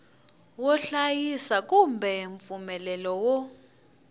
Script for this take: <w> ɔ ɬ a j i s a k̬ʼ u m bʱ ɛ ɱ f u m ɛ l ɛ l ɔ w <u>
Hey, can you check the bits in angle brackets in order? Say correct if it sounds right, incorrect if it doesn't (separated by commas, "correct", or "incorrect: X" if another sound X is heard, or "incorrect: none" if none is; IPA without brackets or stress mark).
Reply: correct, incorrect: ɔ